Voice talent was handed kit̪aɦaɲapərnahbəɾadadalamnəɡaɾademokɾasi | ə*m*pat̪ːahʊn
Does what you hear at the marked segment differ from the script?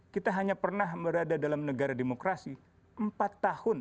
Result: no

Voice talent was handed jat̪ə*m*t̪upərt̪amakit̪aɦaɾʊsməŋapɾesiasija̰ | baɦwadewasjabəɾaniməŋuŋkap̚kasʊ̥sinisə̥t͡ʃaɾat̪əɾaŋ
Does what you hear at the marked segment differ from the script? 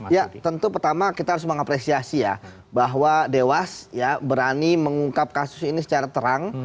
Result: yes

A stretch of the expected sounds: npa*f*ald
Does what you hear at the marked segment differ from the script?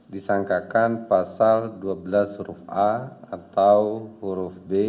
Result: yes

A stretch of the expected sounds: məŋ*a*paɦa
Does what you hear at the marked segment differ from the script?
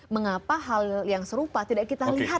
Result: no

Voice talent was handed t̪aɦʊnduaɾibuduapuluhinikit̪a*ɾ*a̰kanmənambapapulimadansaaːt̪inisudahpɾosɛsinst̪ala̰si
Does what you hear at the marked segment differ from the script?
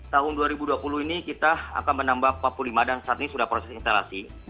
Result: yes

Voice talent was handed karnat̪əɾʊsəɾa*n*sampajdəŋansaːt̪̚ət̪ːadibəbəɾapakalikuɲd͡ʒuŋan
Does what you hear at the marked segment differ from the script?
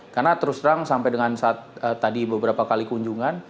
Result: yes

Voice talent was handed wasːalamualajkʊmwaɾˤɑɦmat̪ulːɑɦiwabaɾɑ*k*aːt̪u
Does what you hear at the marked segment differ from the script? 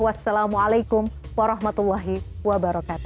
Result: no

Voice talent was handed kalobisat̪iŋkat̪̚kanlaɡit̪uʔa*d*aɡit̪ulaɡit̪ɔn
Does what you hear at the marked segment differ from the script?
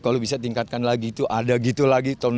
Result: no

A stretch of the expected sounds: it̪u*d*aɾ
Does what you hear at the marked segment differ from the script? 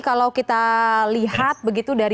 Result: no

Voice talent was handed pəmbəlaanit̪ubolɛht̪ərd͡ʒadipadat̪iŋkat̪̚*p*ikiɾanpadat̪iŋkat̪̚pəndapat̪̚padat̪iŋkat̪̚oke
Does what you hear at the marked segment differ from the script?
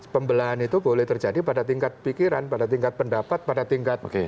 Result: no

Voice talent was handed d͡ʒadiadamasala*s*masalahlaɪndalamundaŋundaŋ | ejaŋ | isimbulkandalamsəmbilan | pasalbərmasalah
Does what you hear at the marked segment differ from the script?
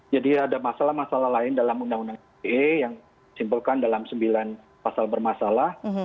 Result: yes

